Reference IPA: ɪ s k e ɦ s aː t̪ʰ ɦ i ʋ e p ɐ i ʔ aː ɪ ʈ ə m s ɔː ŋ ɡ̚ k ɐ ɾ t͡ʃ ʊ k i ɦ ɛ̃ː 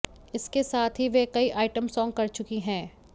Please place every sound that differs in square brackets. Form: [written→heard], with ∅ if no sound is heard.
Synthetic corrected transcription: ɪ s k e [ɦ→∅] s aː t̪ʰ ɦ i ʋ e [p→k] ɐ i ʔ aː ɪ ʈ ə m s ɔː ŋ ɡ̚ k ɐ ɾ t͡ʃ ʊ k i ɦ ɛ̃ː